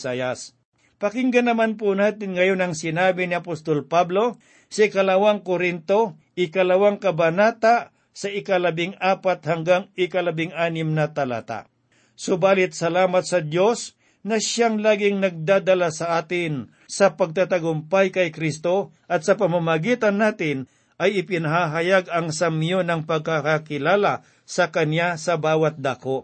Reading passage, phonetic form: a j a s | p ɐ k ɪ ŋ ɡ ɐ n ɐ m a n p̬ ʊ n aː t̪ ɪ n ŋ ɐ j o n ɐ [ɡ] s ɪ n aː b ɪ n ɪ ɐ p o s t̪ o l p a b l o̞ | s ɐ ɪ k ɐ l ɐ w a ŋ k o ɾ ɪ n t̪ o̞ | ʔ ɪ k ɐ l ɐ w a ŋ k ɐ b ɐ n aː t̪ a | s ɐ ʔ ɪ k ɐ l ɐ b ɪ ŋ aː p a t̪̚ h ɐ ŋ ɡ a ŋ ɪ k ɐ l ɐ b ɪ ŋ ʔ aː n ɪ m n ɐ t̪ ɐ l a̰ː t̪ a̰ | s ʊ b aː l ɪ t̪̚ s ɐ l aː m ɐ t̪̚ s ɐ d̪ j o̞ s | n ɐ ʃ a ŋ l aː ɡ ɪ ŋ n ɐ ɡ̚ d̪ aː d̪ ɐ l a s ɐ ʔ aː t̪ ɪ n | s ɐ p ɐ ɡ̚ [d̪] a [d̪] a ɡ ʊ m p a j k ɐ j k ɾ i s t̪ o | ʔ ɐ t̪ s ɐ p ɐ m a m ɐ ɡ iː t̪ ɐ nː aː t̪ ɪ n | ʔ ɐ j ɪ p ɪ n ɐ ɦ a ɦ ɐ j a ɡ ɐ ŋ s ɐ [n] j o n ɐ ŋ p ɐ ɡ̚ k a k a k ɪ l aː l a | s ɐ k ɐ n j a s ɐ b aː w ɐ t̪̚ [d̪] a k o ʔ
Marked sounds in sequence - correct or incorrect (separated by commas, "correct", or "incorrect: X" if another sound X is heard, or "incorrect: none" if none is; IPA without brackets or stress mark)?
incorrect: ŋ, incorrect: t̪, incorrect: t̪, incorrect: m, correct